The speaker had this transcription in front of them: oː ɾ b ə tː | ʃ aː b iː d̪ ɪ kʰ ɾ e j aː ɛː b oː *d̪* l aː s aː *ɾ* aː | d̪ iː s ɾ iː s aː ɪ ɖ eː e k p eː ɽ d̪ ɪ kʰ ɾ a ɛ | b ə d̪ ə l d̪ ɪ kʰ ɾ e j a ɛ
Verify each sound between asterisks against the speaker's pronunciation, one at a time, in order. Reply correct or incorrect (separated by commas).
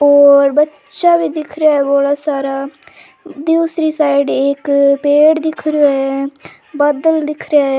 incorrect, correct